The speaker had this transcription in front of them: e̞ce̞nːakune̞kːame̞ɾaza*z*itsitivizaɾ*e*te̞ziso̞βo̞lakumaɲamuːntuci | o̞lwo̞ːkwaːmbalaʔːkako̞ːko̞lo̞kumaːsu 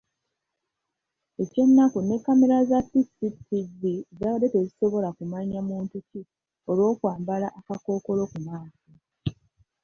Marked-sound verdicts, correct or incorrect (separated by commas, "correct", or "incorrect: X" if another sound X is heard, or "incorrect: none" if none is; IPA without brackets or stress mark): incorrect: s, correct